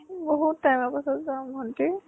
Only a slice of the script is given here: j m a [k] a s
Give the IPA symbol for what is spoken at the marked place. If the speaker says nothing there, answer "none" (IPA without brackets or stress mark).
p